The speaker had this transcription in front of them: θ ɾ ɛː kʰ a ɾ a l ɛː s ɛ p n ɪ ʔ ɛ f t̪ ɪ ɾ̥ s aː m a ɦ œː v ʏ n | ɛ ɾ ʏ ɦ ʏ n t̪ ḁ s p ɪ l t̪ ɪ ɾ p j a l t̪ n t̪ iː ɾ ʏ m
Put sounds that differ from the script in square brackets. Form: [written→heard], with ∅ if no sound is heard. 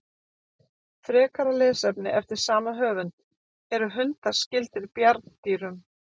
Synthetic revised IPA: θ ɾ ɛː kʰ a ɾ a l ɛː s ɛ p n ɪ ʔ ɛ f t̪ ɪ ɾ̥ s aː m a ɦ œː v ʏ n | ɛ ɾ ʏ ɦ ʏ n t̪ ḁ s [p→c] ɪ l t̪ ɪ ɾ p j a [l→ɾ] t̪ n t̪ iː ɾ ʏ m